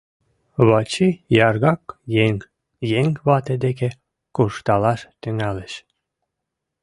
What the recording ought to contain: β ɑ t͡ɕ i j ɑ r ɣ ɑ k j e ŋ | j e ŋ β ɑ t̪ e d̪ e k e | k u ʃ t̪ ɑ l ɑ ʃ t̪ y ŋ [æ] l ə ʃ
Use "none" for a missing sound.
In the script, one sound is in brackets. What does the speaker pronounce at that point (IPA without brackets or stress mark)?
æ